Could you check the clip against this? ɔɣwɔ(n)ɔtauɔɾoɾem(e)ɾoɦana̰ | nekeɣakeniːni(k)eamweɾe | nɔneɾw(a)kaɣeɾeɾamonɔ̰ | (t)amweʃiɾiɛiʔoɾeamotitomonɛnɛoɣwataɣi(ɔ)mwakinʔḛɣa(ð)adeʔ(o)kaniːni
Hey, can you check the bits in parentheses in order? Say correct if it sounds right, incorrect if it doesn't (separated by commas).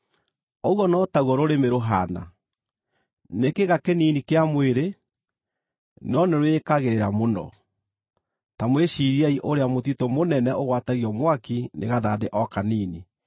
correct, correct, correct, incorrect, correct, correct, correct, incorrect